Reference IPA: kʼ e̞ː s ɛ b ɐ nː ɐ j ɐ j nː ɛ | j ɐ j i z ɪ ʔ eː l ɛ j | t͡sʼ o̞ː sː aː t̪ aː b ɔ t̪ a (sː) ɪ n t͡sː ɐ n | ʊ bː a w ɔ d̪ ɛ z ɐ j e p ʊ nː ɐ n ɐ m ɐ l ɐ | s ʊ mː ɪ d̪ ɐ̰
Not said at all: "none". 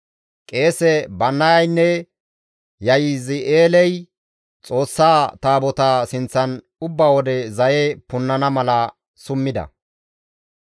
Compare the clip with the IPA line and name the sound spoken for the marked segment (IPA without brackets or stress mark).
s